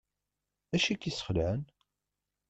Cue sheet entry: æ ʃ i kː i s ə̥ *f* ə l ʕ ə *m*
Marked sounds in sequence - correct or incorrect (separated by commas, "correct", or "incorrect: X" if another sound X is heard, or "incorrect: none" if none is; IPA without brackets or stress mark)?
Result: incorrect: χ, incorrect: n